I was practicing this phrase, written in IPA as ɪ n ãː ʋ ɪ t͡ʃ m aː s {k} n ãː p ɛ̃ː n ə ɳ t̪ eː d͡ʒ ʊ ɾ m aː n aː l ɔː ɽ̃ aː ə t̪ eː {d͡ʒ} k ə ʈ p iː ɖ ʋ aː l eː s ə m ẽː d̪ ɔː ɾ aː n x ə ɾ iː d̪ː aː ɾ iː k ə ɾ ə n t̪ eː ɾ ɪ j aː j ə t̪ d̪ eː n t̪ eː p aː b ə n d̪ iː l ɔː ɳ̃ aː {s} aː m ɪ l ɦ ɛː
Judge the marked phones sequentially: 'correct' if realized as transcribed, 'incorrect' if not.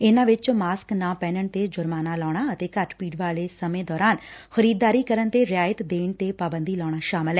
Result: correct, incorrect, incorrect

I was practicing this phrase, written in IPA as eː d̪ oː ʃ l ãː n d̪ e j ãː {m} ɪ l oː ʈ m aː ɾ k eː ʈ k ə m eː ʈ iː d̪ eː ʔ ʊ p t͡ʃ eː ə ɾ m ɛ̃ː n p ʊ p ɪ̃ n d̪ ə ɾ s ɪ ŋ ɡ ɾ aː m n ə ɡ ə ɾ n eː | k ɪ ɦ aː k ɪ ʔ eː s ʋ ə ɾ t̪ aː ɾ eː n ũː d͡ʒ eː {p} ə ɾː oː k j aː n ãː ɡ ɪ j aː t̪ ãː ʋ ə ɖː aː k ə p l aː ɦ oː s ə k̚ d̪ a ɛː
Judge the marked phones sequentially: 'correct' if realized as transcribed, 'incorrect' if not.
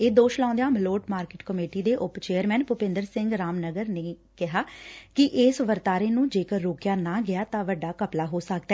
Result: correct, incorrect

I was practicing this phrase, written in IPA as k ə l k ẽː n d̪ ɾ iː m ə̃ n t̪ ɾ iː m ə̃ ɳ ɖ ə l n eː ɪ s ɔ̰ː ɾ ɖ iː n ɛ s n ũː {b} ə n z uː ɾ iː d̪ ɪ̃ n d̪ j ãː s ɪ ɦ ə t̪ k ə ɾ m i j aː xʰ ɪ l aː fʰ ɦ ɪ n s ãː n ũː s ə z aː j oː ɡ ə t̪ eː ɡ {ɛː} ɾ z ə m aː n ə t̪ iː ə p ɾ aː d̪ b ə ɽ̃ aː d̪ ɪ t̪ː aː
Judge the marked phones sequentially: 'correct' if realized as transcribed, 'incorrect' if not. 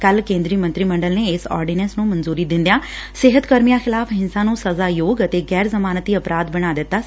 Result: incorrect, correct

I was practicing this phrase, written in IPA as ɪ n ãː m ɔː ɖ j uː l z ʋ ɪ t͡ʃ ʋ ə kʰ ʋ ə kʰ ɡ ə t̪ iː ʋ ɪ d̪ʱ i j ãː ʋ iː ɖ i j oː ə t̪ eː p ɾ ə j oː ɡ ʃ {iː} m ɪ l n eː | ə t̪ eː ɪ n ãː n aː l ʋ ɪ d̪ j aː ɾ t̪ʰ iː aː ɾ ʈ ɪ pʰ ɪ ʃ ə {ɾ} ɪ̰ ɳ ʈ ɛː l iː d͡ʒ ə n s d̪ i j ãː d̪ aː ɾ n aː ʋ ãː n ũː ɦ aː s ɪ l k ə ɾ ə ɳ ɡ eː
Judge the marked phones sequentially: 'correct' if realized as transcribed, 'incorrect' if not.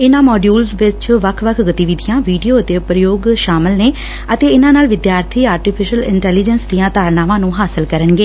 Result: incorrect, incorrect

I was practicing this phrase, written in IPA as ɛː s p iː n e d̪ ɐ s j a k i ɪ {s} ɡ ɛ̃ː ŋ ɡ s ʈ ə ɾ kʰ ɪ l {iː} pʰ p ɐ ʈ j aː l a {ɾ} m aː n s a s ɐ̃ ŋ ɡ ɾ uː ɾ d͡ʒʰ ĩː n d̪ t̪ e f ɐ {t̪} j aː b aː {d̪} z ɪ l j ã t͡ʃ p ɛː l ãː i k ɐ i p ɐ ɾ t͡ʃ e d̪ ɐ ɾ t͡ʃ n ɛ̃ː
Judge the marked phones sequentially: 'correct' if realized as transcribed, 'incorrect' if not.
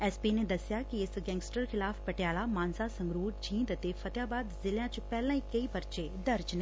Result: correct, incorrect, incorrect, correct, correct

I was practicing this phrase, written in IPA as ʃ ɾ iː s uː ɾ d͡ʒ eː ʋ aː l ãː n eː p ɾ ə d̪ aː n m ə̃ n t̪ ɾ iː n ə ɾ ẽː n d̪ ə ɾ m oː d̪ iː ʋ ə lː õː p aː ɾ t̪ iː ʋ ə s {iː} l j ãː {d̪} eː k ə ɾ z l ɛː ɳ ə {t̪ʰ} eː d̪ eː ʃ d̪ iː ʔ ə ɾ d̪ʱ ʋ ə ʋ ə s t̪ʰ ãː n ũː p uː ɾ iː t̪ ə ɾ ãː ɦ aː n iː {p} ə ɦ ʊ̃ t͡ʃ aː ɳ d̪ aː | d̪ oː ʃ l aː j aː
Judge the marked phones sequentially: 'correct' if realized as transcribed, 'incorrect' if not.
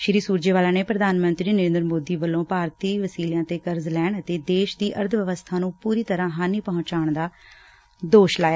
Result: correct, incorrect, incorrect, correct

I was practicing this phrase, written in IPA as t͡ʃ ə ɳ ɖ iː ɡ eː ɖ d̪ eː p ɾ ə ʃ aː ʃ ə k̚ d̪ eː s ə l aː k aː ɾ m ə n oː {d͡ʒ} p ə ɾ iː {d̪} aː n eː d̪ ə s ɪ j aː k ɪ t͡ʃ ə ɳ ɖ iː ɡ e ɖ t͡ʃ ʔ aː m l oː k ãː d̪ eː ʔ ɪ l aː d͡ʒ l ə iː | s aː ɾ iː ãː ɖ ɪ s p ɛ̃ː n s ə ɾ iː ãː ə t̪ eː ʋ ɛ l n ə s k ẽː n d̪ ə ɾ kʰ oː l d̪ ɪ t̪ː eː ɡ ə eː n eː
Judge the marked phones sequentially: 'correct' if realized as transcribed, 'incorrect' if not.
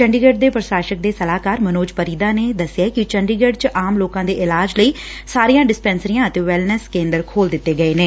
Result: correct, correct

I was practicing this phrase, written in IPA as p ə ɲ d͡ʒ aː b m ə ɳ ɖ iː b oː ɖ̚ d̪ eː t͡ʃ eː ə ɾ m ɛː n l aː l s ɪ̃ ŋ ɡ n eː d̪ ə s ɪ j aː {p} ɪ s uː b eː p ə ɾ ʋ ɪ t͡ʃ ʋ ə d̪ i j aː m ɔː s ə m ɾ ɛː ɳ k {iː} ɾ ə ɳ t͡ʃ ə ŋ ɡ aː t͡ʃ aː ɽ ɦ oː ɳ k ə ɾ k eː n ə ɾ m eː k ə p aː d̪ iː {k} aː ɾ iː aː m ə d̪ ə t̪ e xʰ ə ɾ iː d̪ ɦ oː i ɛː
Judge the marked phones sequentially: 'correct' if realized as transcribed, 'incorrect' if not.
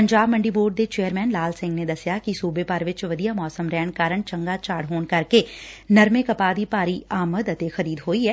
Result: incorrect, incorrect, incorrect

